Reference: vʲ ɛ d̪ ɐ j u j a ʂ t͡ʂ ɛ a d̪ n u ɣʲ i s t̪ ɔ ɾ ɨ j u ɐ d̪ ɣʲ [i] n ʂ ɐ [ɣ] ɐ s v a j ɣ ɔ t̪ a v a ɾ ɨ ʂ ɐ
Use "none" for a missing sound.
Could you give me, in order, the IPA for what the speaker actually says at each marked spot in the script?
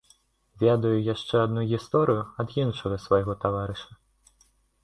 i, ɣ

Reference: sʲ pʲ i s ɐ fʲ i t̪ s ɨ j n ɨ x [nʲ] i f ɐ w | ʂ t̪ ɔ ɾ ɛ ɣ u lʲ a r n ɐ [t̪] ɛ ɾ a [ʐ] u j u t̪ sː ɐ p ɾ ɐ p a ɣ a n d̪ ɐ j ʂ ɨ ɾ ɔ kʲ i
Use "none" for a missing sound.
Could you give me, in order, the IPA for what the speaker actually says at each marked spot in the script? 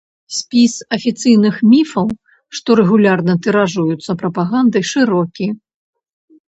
mʲ, t̪, ʐ

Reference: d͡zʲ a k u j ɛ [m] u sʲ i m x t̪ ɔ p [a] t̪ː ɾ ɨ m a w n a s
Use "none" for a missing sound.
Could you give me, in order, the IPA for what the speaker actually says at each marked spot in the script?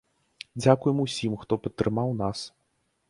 m, ɐ

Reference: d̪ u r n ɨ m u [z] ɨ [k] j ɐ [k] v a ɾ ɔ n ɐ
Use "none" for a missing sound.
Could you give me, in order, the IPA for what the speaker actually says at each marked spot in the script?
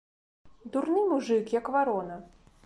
ʐ, k, k

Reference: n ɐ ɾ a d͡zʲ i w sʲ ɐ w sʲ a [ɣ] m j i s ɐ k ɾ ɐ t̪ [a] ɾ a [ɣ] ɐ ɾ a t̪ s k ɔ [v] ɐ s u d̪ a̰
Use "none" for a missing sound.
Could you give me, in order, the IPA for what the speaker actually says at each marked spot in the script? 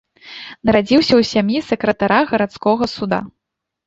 none, a, ɣ, ɣ

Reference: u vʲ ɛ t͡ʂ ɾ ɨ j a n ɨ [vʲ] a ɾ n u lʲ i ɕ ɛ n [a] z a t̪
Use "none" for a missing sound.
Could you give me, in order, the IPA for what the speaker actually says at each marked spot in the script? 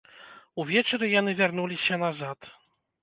vʲ, a

